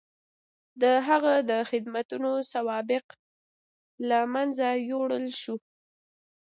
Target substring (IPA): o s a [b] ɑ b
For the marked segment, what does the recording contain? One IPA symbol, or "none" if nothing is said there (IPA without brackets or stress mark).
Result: w